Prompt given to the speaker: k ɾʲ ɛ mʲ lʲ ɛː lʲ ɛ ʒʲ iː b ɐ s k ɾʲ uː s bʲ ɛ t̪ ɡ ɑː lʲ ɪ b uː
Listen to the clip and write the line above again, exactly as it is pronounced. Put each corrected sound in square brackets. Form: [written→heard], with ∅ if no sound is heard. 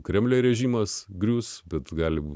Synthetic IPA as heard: k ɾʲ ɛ mʲ lʲ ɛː [lʲ→ɾʲ] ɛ ʒʲ iː [b→m] ɐ s [k→ɡ] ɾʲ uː s bʲ ɛ t̪ ɡ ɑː lʲ ɪ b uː

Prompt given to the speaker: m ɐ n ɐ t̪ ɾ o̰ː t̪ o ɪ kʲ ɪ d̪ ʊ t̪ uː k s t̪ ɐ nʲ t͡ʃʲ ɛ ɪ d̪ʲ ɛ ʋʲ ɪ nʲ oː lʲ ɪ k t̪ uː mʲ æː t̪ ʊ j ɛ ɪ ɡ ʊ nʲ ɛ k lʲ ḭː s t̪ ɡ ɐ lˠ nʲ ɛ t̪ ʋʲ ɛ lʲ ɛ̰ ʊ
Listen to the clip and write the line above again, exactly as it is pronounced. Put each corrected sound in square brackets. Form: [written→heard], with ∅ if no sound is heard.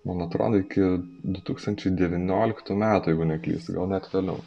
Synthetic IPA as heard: m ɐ n ɐ t̪ ɾ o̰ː [t̪→d̪] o ɪ kʲ ɪ d̪ ʊ t̪ uː k s t̪ ɐ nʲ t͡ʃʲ ɛ ɪ d̪ʲ ɛ ʋʲ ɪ nʲ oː lʲ ɪ k t̪ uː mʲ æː t̪ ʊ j ɛ ɪ ɡ ʊ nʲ ɛ k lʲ ḭː s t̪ ɡ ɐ lˠ nʲ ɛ t̪ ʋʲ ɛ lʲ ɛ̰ ʊ

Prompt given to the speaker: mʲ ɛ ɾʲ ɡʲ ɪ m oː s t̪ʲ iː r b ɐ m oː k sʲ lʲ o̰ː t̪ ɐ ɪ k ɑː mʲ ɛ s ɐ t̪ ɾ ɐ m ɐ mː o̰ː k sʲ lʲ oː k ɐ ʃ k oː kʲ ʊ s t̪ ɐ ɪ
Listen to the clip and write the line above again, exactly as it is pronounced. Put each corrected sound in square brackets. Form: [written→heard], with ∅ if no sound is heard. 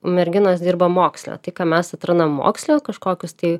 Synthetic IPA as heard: mʲ ɛ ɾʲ ɡʲ ɪ [m→n] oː s [t̪ʲ→d̪ʲ] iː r b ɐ m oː k sʲ lʲ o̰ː t̪ ɐ ɪ k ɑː mʲ ɛ s ɐ t̪ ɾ ɐ [m→n] ɐ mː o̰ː k sʲ lʲ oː k ɐ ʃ k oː kʲ ʊ s t̪ ɐ ɪ

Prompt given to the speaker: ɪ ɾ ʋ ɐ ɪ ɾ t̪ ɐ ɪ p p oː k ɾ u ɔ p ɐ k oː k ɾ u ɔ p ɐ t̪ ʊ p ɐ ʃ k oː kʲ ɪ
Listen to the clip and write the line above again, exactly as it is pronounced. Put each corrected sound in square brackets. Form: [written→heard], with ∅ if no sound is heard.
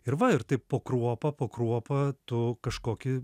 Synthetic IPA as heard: ɪ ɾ ʋ ɐ ɪ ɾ t̪ ɐ ɪ p p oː k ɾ u ɔ p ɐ [k→p] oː k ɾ u ɔ p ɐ t̪ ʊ [p→k] ɐ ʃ k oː kʲ ɪ

